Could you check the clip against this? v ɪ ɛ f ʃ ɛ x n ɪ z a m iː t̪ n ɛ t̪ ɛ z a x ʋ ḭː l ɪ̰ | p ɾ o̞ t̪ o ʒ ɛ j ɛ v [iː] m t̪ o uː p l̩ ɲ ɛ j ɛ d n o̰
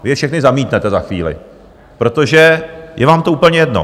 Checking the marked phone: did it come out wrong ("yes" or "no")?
yes